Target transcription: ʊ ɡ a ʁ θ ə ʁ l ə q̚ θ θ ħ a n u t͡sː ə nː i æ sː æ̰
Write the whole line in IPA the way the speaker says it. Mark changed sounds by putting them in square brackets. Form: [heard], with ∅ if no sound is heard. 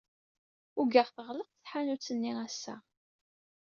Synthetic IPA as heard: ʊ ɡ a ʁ θ ə ʁ l ə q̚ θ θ ħ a n u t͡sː ə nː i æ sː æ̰